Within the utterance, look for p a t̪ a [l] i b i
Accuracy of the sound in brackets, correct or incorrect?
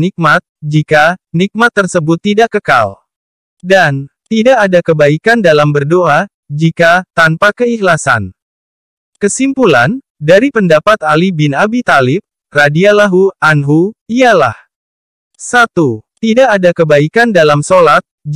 correct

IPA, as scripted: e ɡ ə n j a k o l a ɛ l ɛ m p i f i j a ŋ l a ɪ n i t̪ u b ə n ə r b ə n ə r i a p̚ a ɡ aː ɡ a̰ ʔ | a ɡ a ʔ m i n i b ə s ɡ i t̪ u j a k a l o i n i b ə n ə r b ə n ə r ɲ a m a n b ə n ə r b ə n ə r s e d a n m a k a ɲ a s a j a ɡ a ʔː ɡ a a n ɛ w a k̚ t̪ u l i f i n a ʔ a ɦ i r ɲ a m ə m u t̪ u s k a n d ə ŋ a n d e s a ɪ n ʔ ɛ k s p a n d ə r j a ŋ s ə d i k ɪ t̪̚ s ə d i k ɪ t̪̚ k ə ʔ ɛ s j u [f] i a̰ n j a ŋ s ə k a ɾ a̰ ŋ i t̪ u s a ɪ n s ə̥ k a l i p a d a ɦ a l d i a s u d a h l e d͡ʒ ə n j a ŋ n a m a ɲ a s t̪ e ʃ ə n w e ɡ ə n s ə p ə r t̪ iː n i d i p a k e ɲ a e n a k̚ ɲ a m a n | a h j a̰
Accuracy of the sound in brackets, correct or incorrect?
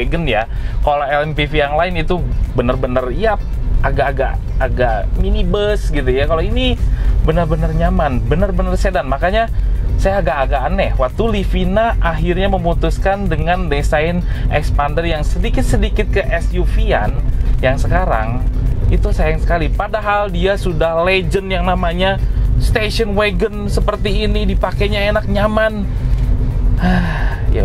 correct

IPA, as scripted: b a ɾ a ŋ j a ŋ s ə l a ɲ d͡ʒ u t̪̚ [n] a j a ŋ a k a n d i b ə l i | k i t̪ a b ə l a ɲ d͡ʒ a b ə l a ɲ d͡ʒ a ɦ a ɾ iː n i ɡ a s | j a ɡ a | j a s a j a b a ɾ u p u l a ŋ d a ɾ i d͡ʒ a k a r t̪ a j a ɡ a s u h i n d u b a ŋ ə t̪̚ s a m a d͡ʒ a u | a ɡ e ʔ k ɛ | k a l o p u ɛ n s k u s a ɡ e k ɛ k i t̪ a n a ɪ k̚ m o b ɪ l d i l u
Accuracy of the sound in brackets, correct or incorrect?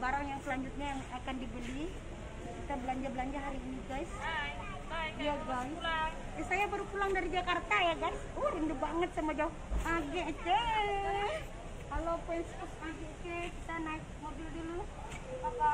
incorrect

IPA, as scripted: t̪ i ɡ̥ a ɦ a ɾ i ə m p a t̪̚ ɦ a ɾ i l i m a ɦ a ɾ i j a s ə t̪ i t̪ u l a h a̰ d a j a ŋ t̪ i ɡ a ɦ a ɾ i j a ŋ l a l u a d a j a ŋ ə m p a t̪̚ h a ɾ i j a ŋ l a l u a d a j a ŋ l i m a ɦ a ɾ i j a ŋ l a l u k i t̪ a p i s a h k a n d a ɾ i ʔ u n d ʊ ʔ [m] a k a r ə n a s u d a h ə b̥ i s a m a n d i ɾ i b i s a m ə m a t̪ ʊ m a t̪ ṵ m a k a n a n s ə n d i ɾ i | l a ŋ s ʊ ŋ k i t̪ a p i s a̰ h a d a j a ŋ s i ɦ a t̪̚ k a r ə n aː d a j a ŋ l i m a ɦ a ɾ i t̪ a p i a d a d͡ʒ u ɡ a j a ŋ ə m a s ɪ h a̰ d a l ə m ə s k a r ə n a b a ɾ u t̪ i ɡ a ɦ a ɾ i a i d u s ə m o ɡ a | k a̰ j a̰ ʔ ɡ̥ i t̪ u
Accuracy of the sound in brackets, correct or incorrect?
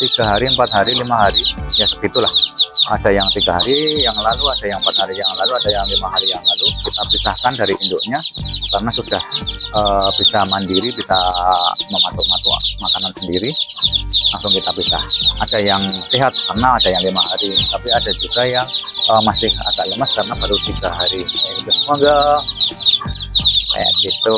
incorrect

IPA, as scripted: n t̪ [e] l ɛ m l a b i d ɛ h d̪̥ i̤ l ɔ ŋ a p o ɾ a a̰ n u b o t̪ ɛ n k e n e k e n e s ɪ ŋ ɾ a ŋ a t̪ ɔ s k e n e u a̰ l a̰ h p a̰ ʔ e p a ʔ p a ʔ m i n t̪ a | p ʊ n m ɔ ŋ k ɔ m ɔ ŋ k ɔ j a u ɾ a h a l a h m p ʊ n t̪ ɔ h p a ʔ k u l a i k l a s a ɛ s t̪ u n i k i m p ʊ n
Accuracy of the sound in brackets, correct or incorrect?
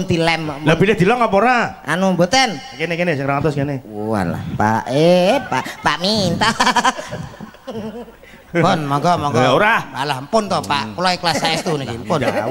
incorrect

